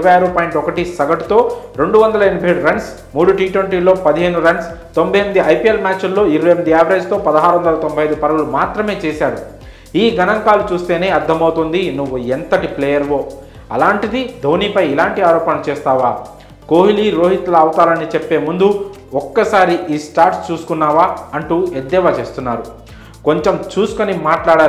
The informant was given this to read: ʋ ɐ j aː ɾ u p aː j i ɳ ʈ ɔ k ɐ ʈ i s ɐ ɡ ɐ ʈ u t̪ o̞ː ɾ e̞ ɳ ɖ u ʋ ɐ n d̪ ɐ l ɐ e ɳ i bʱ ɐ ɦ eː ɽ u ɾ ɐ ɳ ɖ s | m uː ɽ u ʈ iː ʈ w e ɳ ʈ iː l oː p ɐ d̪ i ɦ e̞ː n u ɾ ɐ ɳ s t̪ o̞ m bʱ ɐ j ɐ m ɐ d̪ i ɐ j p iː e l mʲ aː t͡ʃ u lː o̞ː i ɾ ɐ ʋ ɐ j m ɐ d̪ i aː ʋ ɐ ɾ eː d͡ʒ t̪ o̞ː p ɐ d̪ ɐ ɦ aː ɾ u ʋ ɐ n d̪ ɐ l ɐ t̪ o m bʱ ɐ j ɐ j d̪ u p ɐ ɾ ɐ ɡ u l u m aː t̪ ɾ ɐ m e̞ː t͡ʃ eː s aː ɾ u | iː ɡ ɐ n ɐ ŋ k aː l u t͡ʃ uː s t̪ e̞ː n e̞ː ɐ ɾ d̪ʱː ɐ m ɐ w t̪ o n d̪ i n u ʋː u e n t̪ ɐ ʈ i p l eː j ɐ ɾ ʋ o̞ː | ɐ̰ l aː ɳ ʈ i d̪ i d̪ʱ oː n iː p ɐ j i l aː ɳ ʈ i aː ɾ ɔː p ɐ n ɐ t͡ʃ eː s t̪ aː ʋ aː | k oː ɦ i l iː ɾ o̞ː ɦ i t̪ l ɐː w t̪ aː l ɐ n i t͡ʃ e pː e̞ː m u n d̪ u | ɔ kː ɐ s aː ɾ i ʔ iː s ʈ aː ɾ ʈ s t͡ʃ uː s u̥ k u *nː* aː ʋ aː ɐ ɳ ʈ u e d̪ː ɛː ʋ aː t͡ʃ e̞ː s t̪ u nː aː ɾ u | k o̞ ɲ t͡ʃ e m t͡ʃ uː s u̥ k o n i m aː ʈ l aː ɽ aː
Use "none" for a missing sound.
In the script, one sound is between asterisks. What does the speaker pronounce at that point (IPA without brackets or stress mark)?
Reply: nː